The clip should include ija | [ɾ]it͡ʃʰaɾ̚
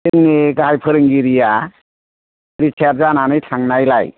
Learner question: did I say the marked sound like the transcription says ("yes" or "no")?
yes